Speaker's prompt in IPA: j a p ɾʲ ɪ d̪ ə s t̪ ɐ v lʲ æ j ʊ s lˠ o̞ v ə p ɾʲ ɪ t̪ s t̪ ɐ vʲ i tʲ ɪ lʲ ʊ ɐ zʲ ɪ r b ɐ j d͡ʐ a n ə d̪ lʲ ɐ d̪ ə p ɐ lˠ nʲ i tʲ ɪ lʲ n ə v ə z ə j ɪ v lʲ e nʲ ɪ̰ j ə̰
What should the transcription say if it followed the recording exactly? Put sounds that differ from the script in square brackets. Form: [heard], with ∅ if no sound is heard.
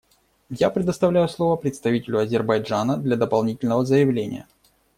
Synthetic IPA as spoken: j a p ɾʲ ɪ d̪ ə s t̪ ɐ v lʲ æ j ʊ s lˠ o̞ v ə p ɾʲ ɪ t̪ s t̪ ɐ vʲ i tʲ ɪ lʲ ʊ ɐ zʲ ɪ r b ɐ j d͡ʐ a n ə d̪ lʲ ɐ d̪ ə p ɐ lˠ nʲ i tʲ ɪ lʲ n ə v ə z ə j ɪ v lʲ e nʲ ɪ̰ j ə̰